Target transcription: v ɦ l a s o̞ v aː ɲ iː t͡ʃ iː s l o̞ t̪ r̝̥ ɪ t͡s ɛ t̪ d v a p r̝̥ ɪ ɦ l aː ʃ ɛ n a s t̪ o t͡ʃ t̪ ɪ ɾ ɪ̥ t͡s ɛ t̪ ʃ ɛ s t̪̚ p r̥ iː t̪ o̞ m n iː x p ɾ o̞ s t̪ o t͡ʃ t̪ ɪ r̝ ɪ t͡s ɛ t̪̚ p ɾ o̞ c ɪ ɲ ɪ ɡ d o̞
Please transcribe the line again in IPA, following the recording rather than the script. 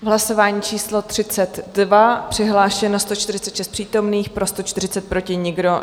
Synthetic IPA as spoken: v ɦ l a s o̞ v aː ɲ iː t͡ʃ iː s l o̞ t̪ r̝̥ ɪ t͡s ɛ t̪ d v a p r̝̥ ɪ ɦ l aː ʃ ɛ n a s t̪ o t͡ʃ t̪ ɪ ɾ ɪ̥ t͡s ɛ t̪ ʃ ɛ s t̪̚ p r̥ iː t̪ o̞ m n iː x p ɾ o̞ s t̪ o t͡ʃ t̪ ɪ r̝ ɪ t͡s ɛ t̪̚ p ɾ o̞ c ɪ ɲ ɪ ɡ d o̞